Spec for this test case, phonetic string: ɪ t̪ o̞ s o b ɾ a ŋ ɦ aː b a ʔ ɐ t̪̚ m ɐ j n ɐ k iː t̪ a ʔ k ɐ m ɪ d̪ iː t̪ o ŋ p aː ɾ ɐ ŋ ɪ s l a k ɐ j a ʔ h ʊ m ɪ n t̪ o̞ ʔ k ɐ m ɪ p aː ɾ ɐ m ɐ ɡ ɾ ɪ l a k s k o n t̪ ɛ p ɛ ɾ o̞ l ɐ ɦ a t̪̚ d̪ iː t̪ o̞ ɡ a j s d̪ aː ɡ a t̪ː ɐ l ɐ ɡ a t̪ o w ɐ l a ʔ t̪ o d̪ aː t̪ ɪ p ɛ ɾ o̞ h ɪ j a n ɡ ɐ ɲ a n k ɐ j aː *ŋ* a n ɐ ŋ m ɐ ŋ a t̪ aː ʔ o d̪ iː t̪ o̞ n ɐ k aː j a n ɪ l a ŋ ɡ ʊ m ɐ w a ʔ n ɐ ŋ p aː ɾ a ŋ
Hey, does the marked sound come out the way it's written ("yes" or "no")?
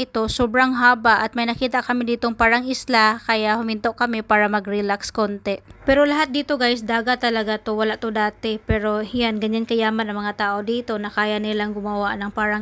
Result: no